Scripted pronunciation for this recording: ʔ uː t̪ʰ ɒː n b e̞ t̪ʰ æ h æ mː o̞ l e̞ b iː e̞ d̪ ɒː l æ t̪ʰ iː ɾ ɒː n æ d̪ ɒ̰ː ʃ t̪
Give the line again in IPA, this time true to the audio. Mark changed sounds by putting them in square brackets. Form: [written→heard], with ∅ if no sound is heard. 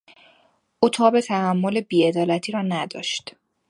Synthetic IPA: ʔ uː t̪ʰ ɒː [n→∅] b e̞ t̪ʰ æ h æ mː o̞ l e̞ b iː e̞ d̪ ɒː l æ t̪ʰ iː ɾ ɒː n æ d̪ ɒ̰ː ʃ t̪